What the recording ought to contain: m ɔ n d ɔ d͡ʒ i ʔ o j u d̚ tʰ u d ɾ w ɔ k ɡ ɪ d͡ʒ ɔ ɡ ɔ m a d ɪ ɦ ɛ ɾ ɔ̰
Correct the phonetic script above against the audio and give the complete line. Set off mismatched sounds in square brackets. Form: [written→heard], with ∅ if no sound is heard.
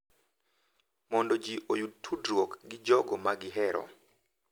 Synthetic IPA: m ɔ n d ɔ d͡ʒ i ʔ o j u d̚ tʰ u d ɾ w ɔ k ɡ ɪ d͡ʒ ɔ ɡ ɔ m a [d→ɡ] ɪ ɦ ɛ ɾ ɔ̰